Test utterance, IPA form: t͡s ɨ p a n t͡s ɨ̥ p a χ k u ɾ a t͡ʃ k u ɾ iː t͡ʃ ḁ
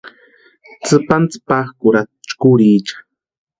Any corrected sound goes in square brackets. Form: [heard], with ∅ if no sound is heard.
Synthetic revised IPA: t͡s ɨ p a n t͡s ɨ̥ p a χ k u ɾ a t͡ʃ k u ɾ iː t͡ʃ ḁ